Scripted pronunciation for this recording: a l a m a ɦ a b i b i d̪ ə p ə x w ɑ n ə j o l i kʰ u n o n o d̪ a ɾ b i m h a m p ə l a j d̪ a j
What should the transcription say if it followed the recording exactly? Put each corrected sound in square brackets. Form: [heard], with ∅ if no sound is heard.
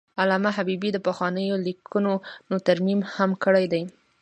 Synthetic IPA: a l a m a ɦ a b i b i d̪ ə p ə x w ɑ n ə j o l i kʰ u n o n o [t̪] a ɾ [m] i m h a m [k] ə [ɽ] a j d̪ a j